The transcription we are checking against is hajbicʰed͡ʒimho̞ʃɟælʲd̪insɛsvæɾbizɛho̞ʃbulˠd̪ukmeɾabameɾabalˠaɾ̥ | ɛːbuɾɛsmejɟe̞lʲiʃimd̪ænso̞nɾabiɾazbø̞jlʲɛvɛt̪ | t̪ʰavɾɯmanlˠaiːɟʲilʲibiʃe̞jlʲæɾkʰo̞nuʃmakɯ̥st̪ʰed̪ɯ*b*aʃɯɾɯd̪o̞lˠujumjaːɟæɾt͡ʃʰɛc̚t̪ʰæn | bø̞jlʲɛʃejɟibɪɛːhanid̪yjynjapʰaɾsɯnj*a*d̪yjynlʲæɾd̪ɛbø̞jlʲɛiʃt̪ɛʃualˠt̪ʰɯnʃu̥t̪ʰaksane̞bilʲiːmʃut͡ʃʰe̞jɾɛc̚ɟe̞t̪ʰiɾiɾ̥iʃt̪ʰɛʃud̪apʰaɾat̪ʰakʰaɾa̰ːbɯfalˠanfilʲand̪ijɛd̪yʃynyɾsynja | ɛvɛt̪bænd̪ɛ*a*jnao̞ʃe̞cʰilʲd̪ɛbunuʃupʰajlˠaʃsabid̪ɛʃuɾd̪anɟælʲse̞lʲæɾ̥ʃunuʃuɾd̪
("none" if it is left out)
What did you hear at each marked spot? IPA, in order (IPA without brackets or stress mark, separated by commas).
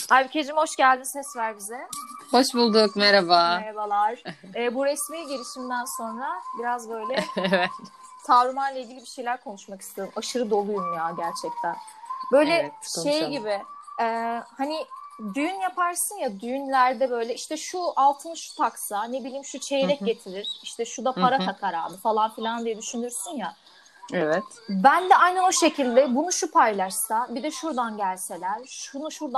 m, a, a